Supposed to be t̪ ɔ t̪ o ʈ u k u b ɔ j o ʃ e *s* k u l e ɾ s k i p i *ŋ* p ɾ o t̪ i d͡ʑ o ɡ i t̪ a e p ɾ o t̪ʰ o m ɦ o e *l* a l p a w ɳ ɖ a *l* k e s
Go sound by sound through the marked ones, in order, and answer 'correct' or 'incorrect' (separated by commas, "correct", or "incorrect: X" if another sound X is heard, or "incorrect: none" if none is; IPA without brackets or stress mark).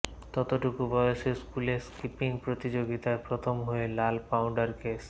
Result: correct, correct, correct, incorrect: ɾ